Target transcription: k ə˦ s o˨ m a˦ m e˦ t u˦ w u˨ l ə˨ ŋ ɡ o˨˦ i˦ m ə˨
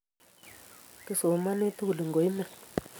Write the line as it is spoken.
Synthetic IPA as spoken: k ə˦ s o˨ m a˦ n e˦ t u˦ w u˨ l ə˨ ŋ ɡ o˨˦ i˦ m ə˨